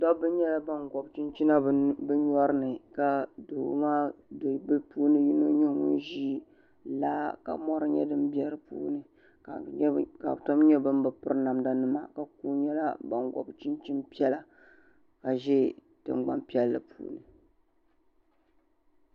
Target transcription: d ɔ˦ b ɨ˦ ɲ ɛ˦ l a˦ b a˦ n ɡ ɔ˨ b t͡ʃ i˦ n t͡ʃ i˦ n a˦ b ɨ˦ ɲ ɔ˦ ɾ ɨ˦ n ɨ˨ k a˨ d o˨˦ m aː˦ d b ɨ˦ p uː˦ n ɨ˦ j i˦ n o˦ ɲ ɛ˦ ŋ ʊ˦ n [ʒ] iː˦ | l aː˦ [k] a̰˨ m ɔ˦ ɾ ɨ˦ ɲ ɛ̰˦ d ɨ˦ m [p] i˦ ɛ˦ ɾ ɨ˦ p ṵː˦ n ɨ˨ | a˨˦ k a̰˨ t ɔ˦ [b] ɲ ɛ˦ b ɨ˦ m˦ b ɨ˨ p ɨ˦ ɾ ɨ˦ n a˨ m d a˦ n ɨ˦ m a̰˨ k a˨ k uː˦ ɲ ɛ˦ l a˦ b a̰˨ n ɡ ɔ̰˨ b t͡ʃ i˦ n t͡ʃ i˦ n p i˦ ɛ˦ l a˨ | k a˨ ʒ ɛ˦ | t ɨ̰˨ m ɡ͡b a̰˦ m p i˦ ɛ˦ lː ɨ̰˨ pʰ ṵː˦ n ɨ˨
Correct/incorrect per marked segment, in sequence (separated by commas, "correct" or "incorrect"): correct, correct, incorrect, incorrect